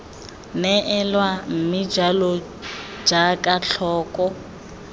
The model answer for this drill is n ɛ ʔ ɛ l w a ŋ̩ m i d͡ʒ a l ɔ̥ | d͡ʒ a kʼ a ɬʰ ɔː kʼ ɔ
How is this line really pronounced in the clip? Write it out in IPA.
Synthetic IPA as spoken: n ɛ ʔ ɛ l w a m̩ m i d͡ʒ a l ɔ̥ | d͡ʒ a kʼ a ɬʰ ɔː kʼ ɔ